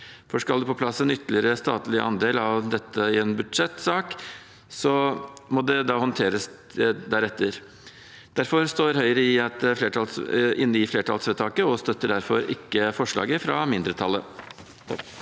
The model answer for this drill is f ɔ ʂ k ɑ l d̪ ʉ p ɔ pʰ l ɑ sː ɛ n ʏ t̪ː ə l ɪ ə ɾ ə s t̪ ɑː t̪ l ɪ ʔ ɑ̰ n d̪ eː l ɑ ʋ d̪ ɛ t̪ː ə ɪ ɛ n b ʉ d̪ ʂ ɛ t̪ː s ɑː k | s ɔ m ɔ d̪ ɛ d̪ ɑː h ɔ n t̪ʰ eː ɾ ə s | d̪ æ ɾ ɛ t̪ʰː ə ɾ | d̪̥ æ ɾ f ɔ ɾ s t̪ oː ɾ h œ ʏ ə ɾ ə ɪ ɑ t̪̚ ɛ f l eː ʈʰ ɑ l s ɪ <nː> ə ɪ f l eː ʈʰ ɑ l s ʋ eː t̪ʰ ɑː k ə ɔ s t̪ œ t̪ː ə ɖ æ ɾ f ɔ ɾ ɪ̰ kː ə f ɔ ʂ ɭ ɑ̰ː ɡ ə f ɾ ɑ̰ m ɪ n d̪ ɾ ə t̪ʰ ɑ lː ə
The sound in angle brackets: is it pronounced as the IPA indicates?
yes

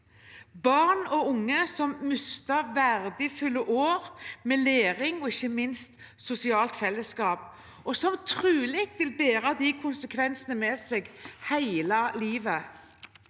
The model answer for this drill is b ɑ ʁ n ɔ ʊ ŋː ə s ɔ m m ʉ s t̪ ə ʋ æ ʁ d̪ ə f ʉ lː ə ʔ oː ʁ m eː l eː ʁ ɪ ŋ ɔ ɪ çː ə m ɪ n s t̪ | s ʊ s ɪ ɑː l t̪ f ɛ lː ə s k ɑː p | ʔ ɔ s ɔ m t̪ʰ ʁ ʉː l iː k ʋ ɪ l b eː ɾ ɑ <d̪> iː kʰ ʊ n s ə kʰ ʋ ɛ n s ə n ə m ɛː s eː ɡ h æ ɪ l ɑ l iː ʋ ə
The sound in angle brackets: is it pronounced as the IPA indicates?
yes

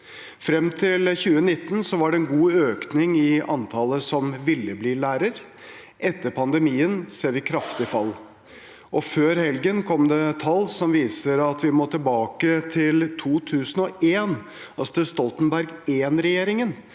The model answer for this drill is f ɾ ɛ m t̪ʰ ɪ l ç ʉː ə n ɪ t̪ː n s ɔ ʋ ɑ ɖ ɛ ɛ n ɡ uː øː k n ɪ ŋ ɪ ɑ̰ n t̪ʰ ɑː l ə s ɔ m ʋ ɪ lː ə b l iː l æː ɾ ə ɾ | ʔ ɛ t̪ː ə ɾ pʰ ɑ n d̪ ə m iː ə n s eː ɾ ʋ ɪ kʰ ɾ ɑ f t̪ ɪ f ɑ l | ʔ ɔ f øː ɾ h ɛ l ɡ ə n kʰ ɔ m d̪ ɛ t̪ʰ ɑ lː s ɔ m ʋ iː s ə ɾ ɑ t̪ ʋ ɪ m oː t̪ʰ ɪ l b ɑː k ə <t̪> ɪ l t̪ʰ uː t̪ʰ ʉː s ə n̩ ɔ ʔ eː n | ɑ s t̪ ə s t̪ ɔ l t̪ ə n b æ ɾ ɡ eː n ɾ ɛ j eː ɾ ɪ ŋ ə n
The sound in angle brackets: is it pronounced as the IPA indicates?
no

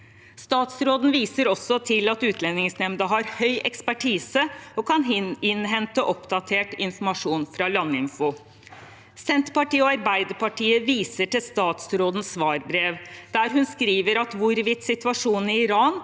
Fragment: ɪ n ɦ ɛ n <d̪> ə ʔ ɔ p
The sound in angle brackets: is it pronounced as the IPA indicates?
no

